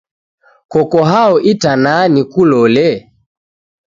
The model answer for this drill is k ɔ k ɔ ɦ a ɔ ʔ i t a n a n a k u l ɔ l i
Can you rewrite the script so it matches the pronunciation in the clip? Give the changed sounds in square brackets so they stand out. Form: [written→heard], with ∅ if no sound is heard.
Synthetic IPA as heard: k ɔ k ɔ ɦ a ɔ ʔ i t a n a n [a→i] k u l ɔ l [i→ɛ]

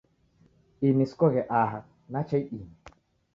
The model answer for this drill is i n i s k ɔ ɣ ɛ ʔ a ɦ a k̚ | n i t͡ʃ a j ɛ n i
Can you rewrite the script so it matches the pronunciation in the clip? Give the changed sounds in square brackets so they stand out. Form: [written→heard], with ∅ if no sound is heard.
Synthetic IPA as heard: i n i s k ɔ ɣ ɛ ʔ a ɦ a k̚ | n [i→a] t͡ʃ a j [ɛ→i] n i

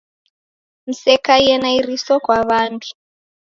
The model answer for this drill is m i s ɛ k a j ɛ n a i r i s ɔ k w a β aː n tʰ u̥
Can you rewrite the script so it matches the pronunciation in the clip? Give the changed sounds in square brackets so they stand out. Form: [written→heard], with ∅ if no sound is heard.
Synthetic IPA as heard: m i s ɛ k a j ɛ n a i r i s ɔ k w a β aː n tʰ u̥

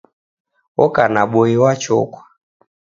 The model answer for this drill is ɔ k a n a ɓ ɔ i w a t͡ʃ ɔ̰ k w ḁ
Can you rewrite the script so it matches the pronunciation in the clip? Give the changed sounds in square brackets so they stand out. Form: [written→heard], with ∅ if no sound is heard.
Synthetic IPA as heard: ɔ k a n a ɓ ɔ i w a t͡ʃ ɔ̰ k w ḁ

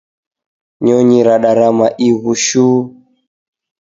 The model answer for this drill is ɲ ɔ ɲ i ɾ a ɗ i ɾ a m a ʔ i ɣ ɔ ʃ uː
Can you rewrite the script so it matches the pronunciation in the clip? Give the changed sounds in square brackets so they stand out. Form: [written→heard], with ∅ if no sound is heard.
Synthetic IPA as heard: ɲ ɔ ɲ i ɾ a ɗ [i→a] ɾ a m a ʔ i ɣ [ɔ→u] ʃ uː

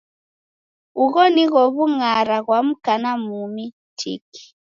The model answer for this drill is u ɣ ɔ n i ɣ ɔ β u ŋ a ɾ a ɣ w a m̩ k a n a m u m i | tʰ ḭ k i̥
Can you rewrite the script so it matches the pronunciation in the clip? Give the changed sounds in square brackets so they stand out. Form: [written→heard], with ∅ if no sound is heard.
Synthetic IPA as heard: u ɣ ɔ n i ɣ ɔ β u ŋ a ɾ a ɣ w a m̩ k a n a m u m i | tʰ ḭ k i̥

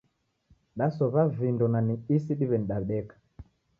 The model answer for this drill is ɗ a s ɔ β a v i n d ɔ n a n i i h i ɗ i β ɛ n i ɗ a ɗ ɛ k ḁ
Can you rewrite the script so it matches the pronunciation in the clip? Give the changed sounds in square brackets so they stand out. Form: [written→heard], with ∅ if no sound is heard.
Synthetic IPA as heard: ɗ a s ɔ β a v i n d ɔ n a n i i [h→s] i ɗ i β ɛ n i ɗ a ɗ ɛ k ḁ

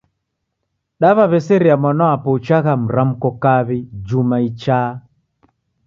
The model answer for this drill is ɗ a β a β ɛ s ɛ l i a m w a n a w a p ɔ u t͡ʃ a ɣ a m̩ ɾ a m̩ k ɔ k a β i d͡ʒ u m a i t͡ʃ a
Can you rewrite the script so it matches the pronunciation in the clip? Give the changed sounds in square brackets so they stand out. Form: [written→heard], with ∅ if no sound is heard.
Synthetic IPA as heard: ɗ a β a β ɛ s ɛ [l→ɾ] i a m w a n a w a p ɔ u t͡ʃ a ɣ a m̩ ɾ a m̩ k ɔ k a β i d͡ʒ u m a i t͡ʃ a

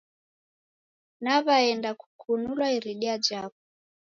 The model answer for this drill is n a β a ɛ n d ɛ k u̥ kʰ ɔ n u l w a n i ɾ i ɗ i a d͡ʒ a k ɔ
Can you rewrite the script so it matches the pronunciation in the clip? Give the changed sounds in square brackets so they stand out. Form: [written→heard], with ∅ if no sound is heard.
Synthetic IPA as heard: n a β a ɛ n d [ɛ→a] k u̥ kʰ [ɔ→u] n u l w a [n→∅] i ɾ i ɗ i a d͡ʒ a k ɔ

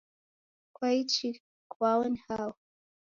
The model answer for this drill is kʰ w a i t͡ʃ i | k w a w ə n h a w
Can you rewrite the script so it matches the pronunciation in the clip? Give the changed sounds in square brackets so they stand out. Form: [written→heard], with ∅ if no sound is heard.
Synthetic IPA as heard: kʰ w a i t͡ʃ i | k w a w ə n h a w

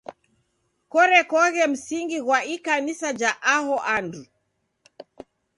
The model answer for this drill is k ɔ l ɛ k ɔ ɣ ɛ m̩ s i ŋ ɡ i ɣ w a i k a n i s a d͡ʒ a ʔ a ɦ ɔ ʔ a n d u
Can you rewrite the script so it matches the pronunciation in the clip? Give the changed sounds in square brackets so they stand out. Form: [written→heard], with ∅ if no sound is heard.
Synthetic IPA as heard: k ɔ [l→ɾ] ɛ k ɔ ɣ ɛ m̩ s i ŋ ɡ i ɣ w a i k a n i s a d͡ʒ a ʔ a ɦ ɔ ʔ a n d u

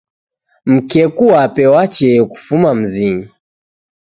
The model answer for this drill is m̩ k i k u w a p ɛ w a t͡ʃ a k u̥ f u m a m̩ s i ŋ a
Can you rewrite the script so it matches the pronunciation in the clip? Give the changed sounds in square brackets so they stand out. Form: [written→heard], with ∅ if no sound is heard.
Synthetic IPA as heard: m̩ k [i→ɛ] k u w a p ɛ w a t͡ʃ [a→ɛ] k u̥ f u m a m̩ [s→z] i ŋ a

